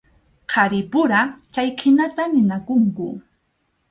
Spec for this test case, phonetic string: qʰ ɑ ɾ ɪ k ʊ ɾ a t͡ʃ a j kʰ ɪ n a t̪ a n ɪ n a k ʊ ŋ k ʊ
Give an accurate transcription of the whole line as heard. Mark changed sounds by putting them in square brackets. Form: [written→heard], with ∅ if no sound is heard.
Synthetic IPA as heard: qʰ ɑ ɾ ɪ [k→p] ʊ ɾ a t͡ʃ a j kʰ ɪ n a t̪ a n ɪ n a k ʊ ŋ k ʊ